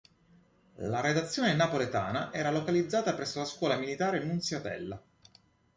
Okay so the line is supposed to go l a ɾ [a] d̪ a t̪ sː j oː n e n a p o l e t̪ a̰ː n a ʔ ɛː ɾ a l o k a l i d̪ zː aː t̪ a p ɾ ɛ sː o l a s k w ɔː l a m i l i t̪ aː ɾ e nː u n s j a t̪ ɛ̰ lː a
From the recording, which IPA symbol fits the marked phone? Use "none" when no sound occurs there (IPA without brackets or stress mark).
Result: e